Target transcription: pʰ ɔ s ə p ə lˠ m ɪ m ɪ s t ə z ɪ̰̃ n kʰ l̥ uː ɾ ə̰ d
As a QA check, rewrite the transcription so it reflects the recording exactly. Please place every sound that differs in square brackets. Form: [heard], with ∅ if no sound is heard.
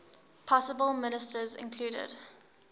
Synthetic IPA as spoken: pʰ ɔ s ə [b] ə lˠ m ɪ [n] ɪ s t ə z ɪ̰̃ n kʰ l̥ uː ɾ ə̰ d